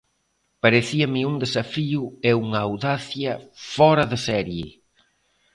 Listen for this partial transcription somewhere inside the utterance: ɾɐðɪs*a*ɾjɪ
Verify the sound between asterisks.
incorrect: ɛ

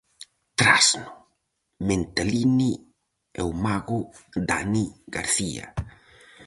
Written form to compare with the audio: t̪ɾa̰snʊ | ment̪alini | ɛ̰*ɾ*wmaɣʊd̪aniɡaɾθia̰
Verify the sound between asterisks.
incorrect: none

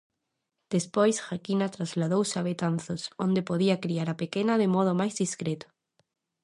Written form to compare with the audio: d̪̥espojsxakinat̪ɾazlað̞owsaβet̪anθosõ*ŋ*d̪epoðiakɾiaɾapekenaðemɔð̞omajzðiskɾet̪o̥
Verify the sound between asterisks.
incorrect: n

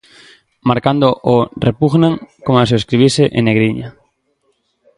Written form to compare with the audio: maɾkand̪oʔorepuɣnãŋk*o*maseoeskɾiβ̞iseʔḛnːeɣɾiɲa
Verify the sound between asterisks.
correct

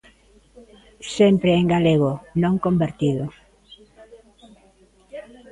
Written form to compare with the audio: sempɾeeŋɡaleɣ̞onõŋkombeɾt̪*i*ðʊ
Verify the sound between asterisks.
correct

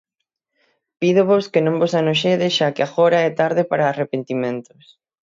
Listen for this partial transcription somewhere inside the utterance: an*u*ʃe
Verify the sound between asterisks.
incorrect: o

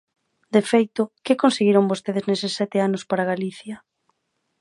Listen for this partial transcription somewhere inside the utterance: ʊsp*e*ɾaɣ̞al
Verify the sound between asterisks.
incorrect: a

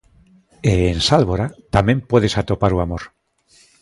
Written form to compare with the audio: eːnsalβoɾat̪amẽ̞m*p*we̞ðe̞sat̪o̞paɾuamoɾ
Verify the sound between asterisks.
correct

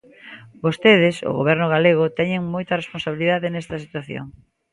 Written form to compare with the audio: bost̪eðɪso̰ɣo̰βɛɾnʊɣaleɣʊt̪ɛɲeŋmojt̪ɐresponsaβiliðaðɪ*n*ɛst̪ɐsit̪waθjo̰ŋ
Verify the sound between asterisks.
correct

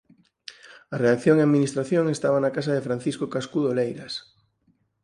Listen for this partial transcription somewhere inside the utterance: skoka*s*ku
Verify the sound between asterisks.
correct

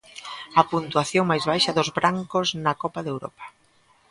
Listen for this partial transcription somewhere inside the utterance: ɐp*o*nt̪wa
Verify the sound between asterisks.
incorrect: u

